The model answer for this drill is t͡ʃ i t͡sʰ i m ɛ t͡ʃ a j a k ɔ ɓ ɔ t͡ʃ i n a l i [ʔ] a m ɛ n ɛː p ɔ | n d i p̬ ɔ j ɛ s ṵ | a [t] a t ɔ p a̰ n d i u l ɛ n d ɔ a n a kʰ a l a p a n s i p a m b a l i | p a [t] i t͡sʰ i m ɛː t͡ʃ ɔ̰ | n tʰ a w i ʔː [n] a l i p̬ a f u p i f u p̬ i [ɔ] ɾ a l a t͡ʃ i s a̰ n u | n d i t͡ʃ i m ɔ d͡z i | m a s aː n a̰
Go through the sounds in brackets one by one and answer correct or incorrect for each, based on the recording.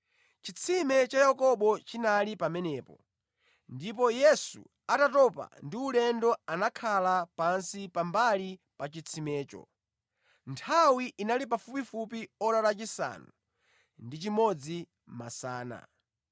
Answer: incorrect: p, correct, incorrect: t͡ʃ, correct, correct

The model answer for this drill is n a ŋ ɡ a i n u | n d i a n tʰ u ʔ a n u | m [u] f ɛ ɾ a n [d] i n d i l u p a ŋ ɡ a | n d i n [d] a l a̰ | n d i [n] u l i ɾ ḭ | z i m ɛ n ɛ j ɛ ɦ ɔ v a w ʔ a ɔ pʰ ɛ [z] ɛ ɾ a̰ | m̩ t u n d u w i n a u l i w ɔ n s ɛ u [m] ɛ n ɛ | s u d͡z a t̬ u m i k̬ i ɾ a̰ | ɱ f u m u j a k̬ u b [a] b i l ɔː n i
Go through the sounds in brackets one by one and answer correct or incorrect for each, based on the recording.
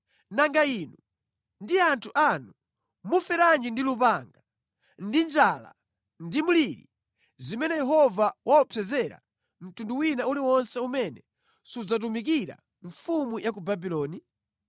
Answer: correct, incorrect: d͡ʒ, incorrect: d͡ʒ, incorrect: m, correct, correct, correct

